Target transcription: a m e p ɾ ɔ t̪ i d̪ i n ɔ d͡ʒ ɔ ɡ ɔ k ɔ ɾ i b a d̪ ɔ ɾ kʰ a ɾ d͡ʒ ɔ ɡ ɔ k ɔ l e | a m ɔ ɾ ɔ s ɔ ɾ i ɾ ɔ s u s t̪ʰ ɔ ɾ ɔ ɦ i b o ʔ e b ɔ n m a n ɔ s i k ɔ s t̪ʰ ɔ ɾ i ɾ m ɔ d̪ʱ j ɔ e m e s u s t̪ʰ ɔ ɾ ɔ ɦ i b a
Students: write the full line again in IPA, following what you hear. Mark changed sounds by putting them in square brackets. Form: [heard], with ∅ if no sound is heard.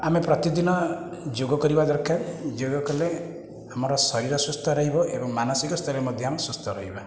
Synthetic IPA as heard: a m e p ɾ ɔ t̪ i d̪ i n ɔ d͡ʒ [o] ɡ ɔ k ɔ ɾ i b a d̪ ɔ ɾ kʰ a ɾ d͡ʒ [o] ɡ ɔ k ɔ l e | a m ɔ ɾ ɔ s ɔ ɾ i ɾ ɔ s u s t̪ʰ ɔ ɾ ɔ ɦ i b [ɔ] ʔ e b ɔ [ŋ] m a n ɔ s i k ɔ s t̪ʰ ɔ ɾ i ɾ m ɔ d̪ʱ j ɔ [a] m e s u s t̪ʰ ɔ ɾ ɔ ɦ i b a